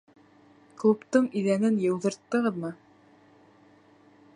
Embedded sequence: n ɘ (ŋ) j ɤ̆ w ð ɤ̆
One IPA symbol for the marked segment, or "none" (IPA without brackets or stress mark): n